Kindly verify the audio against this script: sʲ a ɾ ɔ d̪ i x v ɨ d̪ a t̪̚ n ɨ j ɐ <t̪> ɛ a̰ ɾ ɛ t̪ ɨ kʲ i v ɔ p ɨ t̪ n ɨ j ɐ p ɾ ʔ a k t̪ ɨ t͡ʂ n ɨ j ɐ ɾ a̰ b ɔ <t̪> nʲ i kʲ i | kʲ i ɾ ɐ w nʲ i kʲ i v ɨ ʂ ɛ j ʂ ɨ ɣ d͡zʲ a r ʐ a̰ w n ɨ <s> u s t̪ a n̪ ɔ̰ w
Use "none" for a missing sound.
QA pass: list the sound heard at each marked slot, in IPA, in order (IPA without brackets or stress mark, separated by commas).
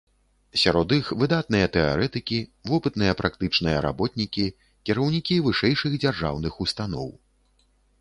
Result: t̪, t̪, x